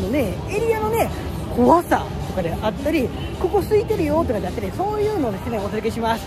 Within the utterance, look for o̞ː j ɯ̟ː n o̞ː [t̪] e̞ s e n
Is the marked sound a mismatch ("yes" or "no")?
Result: yes